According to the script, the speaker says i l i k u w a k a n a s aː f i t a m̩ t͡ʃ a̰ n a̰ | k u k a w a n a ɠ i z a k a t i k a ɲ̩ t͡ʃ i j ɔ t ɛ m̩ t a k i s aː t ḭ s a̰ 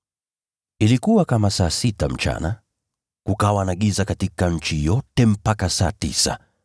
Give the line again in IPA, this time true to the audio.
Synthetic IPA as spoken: i l i k u w a k a m a s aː s i t a m̩ t͡ʃ a̰ n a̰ | k u k a w a n a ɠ i z a k a t i k a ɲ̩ t͡ʃ i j ɔ t ɛ m̩ p a k a s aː t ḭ s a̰